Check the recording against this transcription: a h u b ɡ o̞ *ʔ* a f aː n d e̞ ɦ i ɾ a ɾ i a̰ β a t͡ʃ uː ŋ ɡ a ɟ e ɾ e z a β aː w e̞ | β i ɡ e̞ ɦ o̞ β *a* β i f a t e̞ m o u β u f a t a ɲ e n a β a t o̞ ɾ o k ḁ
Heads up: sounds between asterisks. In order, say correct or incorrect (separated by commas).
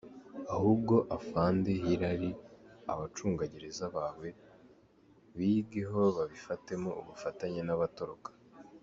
correct, correct